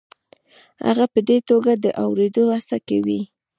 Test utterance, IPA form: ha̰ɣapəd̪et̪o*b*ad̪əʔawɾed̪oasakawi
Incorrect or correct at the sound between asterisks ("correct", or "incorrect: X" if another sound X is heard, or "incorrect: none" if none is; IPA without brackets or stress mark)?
incorrect: ɡ